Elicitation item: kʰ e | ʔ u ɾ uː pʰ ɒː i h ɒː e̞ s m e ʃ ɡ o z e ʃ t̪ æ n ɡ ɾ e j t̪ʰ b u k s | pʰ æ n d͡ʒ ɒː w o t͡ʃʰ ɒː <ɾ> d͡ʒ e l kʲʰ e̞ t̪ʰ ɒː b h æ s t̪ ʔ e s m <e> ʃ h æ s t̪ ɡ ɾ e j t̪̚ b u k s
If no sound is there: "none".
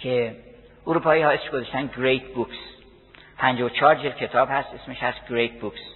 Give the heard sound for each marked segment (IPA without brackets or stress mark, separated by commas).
ɾ, e